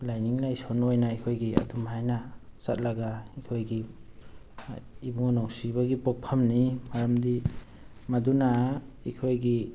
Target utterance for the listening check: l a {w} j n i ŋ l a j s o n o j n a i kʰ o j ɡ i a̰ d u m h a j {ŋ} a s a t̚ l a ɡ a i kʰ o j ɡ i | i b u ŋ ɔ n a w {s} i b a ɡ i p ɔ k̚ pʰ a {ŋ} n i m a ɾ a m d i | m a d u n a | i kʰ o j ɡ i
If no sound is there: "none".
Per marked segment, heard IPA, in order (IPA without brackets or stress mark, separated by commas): none, n, s, m